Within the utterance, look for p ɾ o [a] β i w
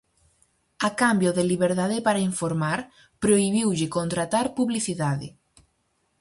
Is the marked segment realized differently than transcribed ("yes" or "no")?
yes